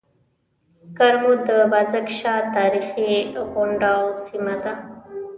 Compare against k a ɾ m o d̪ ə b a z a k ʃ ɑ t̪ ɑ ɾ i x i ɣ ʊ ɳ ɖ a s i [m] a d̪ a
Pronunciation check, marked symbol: correct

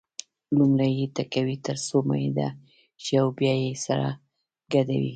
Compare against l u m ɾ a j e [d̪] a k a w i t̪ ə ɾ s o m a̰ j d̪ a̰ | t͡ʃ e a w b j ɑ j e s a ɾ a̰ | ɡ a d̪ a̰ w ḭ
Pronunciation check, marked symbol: incorrect: t̪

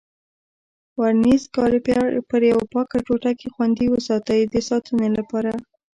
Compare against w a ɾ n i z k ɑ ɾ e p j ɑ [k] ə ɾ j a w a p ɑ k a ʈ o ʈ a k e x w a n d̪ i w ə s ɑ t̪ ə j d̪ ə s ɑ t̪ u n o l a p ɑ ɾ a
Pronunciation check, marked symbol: incorrect: p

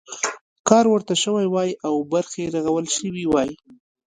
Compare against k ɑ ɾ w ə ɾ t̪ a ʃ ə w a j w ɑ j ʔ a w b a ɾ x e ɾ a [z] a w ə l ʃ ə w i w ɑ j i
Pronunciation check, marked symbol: incorrect: ɣ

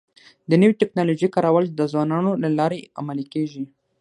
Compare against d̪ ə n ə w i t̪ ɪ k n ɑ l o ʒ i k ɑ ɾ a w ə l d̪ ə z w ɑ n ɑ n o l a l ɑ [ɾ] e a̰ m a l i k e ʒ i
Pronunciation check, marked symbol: correct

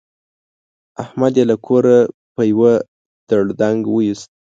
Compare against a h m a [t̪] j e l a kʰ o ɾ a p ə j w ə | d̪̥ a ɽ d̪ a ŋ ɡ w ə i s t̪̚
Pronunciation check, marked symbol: incorrect: d̪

